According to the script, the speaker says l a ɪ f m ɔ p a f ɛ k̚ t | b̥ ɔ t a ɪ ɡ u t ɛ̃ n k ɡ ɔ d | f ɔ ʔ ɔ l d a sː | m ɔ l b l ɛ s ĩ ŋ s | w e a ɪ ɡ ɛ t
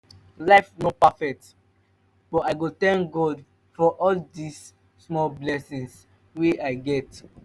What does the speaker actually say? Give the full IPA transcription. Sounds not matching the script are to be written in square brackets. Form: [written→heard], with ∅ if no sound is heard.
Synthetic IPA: l a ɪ f [m→n] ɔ p a f ɛ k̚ t | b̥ ɔ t a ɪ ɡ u t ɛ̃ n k ɡ ɔ d | f ɔ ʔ ɔ l d [a→i] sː | m ɔ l b l ɛ s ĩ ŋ s | w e a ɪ ɡ ɛ t

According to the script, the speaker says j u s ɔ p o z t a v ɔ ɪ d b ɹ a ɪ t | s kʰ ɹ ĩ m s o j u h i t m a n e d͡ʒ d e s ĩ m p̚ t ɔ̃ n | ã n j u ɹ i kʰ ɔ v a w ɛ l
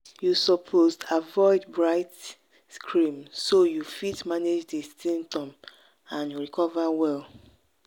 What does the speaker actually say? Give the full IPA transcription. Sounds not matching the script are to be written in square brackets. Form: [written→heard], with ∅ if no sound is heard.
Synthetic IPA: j u s ɔ [p→pʰ] o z t a v ɔ ɪ d b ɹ a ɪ t | s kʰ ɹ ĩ m s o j u [h→f] i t m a n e d͡ʒ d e s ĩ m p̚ t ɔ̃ [n→m] | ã n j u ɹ i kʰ ɔ v a w ɛ l

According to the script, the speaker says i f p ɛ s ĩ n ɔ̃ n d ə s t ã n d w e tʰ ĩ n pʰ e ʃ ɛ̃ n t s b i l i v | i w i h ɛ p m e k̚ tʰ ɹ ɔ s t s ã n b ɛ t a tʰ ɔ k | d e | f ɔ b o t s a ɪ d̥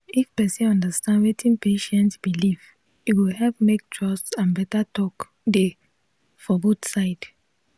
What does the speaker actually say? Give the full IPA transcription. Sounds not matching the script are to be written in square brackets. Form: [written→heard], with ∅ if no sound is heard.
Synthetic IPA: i f p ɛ s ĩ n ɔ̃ n d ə s t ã n d w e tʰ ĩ n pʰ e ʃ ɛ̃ n t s b i l i v | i w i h ɛ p m e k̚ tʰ ɹ ɔ s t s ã n b ɛ t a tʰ ɔ k | d e | f ɔ b o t s a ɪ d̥

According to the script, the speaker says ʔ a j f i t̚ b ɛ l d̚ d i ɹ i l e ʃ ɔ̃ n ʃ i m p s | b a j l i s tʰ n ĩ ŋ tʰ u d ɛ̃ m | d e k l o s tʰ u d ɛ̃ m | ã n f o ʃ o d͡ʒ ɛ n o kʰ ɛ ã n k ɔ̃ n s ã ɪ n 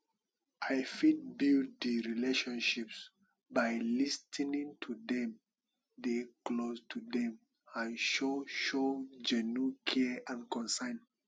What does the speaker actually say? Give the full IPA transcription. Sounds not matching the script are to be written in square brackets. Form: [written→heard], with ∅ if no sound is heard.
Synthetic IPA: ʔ a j f i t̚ b [ɛ→i] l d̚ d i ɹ i l e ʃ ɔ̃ n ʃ i [m→∅] p s | b a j l i s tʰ n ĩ ŋ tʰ u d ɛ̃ m | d e k l o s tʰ u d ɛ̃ m | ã n [f→ʃ] o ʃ o d͡ʒ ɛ n [o→u] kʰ ɛ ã n k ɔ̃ n s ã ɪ n

